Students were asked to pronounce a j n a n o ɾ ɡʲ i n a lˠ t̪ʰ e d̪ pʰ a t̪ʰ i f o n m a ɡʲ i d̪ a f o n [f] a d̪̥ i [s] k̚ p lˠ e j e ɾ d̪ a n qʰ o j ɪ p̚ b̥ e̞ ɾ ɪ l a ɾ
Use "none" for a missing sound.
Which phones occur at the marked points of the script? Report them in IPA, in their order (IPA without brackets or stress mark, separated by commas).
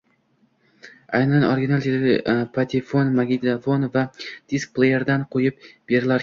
v, s